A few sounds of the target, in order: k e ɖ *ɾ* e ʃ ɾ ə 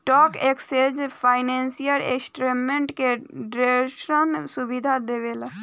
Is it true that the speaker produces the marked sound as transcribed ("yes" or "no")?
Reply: yes